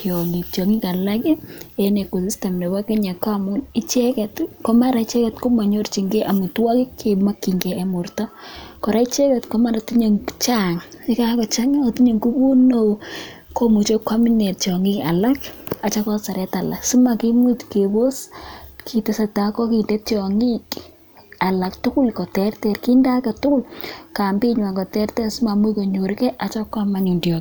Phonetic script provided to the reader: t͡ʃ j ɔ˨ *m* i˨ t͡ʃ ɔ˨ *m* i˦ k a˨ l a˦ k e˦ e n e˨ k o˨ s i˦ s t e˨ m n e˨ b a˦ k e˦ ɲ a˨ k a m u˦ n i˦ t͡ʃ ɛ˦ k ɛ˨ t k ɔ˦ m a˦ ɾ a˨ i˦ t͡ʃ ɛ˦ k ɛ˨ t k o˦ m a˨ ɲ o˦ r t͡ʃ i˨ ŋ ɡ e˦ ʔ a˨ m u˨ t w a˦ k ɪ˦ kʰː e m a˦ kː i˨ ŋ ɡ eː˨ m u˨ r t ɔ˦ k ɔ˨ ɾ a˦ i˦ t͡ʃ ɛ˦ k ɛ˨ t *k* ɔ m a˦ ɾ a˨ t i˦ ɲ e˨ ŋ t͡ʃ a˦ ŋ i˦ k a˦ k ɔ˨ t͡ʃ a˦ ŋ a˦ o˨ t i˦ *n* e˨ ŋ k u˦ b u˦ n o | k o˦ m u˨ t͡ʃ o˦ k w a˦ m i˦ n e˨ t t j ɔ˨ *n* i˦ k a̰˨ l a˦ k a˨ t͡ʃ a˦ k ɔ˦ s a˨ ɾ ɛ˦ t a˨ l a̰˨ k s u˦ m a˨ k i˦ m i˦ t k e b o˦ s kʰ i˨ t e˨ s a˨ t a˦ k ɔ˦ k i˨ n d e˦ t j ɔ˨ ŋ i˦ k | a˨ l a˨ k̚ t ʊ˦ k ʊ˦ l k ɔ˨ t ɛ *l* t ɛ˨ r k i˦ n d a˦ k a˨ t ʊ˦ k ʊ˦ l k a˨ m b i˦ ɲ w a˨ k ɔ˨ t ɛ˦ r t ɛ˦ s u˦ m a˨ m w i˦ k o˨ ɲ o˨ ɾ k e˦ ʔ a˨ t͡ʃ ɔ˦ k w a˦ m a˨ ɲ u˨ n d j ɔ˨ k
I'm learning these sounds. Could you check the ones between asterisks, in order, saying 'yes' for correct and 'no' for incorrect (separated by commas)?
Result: no, no, yes, no, no, no